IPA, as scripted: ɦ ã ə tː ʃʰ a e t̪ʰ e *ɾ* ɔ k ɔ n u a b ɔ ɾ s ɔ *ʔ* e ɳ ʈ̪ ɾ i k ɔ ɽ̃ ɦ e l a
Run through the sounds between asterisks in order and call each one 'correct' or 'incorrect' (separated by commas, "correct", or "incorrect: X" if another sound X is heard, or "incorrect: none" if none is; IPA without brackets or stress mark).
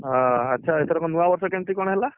correct, incorrect: k